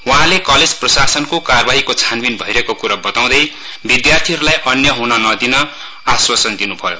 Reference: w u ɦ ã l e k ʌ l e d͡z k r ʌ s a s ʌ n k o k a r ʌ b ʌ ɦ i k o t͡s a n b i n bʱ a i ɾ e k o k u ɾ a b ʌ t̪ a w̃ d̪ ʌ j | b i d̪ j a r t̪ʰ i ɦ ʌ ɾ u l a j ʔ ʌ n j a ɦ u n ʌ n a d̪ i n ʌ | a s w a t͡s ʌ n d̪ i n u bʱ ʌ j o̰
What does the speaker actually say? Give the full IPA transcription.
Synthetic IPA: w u ɦ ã l e k ʌ l e d͡z p r ʌ s a s ʌ n k o k a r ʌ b a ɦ i k o t͡sʰ a n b i n bʱ ʌ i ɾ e k o k u ɾ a b ʌ t̪ a w̃ d̪ ʌ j | b i d̪ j a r t̪ʰ i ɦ ʌ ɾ u l a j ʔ ʌ n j ʌ ɦ u n ʌ n ʌ d̪ i n ʌ | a s w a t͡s ʌ n d̪ i n u bʱ ʌ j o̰

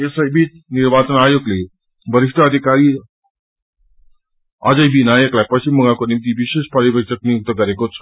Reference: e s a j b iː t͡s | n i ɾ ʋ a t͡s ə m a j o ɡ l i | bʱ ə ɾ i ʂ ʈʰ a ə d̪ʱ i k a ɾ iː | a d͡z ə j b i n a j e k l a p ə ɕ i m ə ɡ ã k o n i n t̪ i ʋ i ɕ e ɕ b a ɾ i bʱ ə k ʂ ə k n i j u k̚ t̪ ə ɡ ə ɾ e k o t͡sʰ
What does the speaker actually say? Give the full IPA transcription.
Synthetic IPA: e s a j b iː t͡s | n i ɾ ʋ a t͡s ə n a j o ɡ l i | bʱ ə ɾ i ʂ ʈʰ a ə d̪ʱ i k a ɾ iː | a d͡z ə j b i n a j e k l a p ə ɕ i m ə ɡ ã k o n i m t̪ i ʋ i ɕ e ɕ p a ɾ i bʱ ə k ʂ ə k n i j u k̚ t̪ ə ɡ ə ɾ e k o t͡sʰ

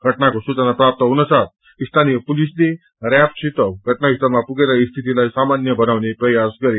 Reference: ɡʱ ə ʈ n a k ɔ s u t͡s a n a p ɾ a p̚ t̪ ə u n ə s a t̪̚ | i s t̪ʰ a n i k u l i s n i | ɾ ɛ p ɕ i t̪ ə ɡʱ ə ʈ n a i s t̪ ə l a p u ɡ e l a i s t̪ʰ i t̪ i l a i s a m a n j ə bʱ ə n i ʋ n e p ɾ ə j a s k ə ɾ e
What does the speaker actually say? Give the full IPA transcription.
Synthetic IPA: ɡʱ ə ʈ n a k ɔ s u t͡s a n a p ɾ a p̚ t̪ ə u n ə s a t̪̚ | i s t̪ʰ a n i p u l i s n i | ɾ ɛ p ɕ i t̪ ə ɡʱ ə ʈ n a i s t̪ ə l a p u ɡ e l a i s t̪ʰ i t̪ i l a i s a m a n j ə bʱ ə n a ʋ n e p ɾ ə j a s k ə ɾ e

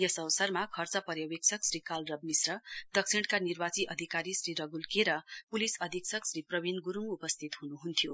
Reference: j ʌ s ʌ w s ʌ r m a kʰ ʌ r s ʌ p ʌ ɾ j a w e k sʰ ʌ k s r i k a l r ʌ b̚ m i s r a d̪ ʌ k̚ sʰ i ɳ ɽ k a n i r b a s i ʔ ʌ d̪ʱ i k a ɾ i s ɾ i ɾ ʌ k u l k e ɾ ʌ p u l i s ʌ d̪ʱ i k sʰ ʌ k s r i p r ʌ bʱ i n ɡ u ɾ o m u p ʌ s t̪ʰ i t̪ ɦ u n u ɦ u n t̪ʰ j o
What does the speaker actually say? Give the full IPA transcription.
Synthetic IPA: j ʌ s ʌ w s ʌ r m a kʰ ʌ r t͡s ʌ p ʌ ɾ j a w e k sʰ ʌ k s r i k a l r ʌ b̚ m i s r ʌ d̪ ʌ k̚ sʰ i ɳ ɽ k a n i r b a t͡s i ʔ ʌ d̪ʱ i k a ɾ i s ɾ i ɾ ʌ ɡ u l k e ɾ ʌ p u l i s ʌ d̪ʱ i k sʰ ʌ k s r i p r ʌ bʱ i n ɡ u ɾ u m u p ʌ s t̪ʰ i t̪ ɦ u n u ɦ u n t̪ʰ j o

